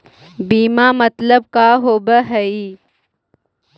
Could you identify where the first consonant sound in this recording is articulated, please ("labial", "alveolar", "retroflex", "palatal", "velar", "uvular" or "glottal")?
labial